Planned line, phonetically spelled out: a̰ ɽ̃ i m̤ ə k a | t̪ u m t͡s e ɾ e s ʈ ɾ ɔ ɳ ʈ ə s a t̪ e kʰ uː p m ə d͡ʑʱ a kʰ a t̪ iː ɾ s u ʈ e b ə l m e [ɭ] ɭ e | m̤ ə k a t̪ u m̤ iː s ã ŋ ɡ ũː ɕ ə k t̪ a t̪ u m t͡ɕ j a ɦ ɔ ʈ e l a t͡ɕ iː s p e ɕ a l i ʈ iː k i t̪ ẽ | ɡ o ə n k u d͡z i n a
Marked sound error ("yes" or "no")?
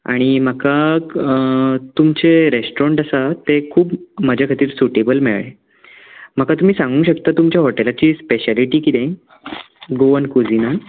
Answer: no